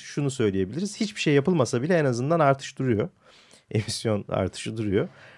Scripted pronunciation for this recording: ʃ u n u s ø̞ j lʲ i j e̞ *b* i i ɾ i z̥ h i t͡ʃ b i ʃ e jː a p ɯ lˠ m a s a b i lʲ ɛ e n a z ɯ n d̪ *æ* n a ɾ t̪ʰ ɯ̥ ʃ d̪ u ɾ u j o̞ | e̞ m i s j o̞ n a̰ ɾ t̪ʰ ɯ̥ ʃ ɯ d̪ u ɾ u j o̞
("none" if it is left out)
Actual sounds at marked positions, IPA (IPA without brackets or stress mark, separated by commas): b, a